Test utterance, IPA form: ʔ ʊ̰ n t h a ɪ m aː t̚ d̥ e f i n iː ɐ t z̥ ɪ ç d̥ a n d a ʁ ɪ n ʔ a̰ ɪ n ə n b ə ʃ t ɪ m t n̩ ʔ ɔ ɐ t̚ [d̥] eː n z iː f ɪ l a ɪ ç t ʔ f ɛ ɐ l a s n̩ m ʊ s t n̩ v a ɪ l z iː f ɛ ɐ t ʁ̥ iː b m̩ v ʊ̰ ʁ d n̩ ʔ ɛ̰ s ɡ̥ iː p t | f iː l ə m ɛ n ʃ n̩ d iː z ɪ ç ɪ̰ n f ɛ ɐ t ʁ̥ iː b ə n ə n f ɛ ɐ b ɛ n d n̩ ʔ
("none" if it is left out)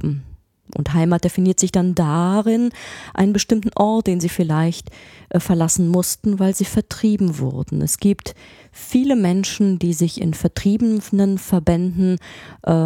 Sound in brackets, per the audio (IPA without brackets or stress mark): d̥